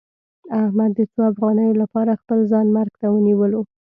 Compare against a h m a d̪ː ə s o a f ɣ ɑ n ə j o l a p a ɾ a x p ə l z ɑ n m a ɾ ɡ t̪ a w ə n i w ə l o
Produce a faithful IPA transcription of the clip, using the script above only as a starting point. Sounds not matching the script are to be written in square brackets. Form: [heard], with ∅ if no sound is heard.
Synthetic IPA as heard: a h m a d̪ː ə [t͡s] o a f ɣ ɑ n ə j o l a p [ɑ] ɾ a x p ə l z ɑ n m a ɾ ɡ t̪ a w ə n i w ə l o